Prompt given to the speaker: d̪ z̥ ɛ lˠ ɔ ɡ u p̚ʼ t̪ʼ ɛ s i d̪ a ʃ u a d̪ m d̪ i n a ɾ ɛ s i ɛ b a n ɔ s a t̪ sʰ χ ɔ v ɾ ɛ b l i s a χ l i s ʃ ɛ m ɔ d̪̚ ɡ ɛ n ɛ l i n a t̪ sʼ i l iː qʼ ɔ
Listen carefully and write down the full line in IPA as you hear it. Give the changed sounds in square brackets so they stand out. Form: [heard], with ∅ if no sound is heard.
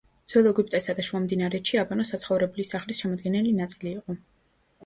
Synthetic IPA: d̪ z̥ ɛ lˠ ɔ ɡ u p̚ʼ t̪ʼ ɛ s [a] d̪ a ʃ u a [∅] m d̪ i n a ɾ ɛ [ʃ] i [a] b a n ɔ s a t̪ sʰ χ ɔ v ɾ ɛ b l i s a χ l i s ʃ ɛ m ɔ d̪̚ ɡ ɛ n ɛ l i n a t̪ sʼ i l iː qʼ ɔ